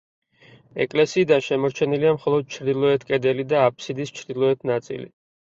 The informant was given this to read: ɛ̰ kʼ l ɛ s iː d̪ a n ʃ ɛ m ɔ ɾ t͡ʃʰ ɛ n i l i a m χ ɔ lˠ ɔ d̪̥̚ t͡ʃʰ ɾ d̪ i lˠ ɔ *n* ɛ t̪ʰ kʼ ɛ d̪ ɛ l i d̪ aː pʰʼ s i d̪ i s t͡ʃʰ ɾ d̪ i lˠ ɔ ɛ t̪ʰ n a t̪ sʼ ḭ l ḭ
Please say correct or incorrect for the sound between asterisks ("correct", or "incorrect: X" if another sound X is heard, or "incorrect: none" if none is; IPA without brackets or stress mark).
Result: incorrect: none